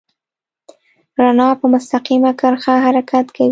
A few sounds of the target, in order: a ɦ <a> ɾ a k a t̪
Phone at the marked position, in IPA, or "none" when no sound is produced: a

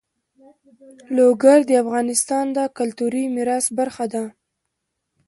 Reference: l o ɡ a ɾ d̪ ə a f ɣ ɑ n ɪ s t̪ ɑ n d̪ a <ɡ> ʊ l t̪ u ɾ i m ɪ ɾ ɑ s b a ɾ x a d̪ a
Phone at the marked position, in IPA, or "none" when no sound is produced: k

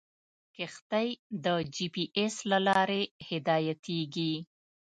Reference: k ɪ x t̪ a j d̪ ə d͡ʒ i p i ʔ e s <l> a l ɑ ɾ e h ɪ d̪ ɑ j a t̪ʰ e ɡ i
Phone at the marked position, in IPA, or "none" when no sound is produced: l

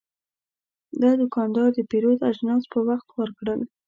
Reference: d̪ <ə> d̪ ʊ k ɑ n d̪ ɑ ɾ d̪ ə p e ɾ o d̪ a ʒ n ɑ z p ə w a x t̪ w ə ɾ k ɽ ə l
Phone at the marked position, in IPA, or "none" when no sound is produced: ɑ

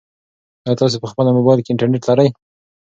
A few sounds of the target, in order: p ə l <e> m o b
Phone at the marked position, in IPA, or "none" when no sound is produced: a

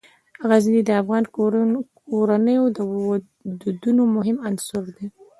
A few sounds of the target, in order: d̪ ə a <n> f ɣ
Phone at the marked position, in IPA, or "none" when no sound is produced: none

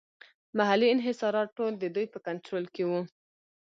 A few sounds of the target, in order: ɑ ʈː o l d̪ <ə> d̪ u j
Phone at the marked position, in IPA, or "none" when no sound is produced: ə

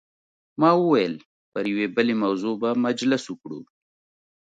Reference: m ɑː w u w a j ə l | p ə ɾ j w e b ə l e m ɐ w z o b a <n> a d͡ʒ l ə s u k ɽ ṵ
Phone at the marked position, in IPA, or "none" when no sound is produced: m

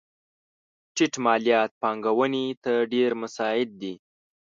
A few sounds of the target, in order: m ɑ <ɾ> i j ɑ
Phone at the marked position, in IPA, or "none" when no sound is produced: l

